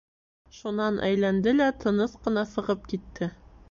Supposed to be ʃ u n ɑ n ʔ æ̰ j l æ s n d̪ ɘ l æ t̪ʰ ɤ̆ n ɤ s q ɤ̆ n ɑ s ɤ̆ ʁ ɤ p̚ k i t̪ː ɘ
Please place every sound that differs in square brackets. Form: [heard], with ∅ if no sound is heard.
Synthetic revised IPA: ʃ u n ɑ n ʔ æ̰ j l æ [∅] n d̪ ɘ l æ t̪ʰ ɤ̆ n ɤ s q ɤ̆ n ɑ s ɤ̆ ʁ ɤ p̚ k i t̪ː ɘ